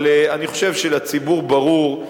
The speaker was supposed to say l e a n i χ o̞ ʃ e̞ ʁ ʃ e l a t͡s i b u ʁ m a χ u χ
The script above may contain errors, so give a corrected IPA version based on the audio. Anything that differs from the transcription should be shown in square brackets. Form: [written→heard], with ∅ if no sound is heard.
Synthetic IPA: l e a n i χ o̞ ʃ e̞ [ʁ→v] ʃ e l a t͡s i b u ʁ [m→b] a [χ→ʁ] u [χ→ʁ]